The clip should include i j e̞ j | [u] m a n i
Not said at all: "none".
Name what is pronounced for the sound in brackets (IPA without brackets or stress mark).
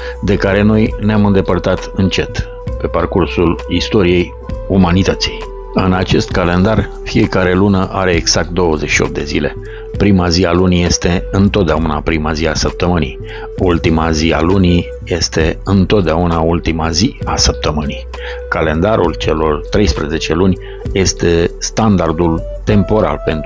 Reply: u